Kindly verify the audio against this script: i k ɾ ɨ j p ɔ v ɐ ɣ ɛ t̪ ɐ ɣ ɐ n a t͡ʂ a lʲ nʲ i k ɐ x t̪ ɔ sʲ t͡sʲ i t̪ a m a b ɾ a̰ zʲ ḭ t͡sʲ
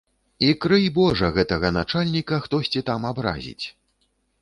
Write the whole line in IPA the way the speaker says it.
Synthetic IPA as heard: i k ɾ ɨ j b ɔ ʐ ɐ ɣ ɛ t̪ ɐ ɣ ɐ n a t͡ʂ a lʲ nʲ i k ɐ x t̪ ɔ sʲ t͡sʲ i t̪ a m a b ɾ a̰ zʲ ḭ t͡sʲ